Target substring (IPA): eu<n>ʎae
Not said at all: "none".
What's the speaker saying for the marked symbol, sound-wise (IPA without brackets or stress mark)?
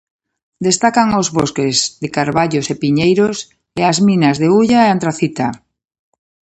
none